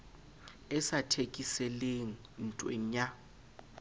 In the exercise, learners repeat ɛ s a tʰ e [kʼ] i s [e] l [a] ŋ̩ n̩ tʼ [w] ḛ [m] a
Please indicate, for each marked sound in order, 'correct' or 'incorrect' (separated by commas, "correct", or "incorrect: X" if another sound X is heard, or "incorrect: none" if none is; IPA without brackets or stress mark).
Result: correct, incorrect: ɛ, incorrect: e, correct, incorrect: ɲ